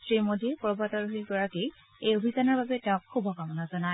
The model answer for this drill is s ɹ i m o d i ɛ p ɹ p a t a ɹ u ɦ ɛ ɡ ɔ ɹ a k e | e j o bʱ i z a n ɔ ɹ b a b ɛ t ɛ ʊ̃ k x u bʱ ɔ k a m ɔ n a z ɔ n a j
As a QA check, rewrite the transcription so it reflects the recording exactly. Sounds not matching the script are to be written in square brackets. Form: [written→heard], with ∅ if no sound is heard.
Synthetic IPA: s ɹ i m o d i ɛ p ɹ [p→b] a t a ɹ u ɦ [ɛ→i] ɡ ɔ ɹ a k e | e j o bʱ i z a n ɔ ɹ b a b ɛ t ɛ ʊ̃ k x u bʱ ɔ k a m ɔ n a z ɔ n a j